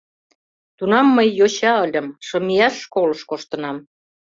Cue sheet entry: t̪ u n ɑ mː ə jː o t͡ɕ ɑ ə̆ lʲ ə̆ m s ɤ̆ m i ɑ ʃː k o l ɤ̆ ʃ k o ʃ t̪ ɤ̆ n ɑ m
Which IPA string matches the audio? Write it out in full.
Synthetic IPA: t̪ u n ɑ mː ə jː o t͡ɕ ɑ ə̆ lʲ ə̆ m ʃ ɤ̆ m i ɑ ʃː k o l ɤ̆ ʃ k o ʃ t̪ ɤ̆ n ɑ m